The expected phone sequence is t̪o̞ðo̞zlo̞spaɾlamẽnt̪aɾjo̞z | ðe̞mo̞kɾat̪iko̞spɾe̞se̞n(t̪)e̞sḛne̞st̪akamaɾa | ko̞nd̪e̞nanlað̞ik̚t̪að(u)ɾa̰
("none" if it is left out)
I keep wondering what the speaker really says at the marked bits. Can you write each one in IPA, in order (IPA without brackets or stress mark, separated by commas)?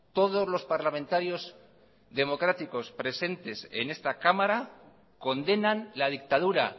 t̪, u